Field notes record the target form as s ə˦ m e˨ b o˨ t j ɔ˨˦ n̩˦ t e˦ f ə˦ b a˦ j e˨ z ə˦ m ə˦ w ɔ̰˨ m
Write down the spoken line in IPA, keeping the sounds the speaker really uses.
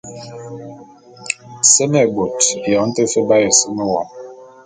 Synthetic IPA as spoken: s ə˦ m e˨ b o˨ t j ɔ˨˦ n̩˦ t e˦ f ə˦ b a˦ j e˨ s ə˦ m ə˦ w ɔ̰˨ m